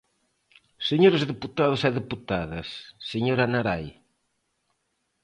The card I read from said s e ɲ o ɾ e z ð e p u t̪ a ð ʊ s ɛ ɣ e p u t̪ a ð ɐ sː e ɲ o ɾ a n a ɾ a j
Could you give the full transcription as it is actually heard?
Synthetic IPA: s e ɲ o ɾ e z ð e p u t̪ a ð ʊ s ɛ ð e p u t̪ a ð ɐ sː e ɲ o ɾ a n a ɾ a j